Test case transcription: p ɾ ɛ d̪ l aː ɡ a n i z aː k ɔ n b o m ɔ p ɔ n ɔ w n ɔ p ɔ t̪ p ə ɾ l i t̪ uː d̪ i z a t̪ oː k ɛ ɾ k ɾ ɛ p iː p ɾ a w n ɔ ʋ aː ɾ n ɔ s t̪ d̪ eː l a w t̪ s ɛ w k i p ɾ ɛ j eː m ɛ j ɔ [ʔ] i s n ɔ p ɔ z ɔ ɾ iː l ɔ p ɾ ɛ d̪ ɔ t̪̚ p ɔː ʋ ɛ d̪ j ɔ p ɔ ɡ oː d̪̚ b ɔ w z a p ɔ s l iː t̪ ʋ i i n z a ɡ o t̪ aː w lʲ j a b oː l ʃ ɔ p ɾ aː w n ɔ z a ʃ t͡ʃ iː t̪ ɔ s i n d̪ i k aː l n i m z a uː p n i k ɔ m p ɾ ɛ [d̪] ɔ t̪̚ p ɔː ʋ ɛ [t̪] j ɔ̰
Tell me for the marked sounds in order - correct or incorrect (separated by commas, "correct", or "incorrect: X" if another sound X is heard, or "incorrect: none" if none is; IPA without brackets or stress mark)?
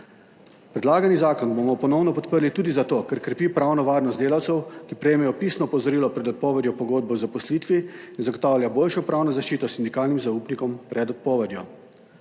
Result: incorrect: p, correct, incorrect: d̪